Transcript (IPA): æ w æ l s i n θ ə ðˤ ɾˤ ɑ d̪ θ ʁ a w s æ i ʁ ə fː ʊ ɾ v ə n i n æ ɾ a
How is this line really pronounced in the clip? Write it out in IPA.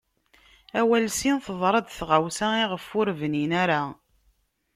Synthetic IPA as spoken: æ w æ l s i n θ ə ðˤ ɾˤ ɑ d̪ θ ʁ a w s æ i ʁ ə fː ʊ ɾ v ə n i n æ ɾ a